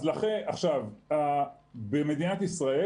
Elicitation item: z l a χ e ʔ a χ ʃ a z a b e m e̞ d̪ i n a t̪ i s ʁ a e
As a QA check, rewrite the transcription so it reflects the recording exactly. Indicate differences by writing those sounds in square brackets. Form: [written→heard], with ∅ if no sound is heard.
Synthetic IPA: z l a χ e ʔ a χ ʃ a [z→v] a b e m e̞ d̪ i n a t̪ i s ʁ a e